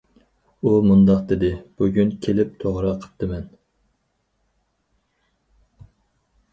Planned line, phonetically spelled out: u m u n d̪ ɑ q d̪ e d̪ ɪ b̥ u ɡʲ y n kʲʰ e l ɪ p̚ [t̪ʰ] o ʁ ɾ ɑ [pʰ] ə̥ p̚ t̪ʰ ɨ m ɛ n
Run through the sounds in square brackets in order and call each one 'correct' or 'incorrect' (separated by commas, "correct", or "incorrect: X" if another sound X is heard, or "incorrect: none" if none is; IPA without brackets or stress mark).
correct, incorrect: qʰ